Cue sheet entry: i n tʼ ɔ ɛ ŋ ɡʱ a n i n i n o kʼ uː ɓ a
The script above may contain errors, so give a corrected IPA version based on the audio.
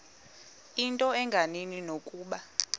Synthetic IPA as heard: i n tʼ ɔ ɛ ŋ ɡʱ a n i n i n o kʼ uː ɓ a